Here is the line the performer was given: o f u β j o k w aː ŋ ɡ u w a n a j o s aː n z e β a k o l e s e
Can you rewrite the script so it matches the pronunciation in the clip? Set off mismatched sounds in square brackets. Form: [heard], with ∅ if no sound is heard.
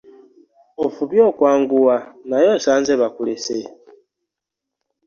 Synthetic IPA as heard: o f u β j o k w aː ŋ ɡ u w a n a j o s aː n z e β a k [u] l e s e